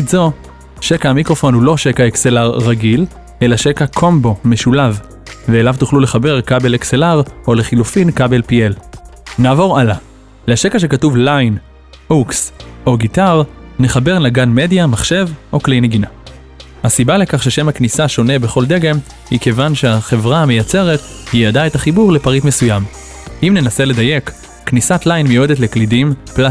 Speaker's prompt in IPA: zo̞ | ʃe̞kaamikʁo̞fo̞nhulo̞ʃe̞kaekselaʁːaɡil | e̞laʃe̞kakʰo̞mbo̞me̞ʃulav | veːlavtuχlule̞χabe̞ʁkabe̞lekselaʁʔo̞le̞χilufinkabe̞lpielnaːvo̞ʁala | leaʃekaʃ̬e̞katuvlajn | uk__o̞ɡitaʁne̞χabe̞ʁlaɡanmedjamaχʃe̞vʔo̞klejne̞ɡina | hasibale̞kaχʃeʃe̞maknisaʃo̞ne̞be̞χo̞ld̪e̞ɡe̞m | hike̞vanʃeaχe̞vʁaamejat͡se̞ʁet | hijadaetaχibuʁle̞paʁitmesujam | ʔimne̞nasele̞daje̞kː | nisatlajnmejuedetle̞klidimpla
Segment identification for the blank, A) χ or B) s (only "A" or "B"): B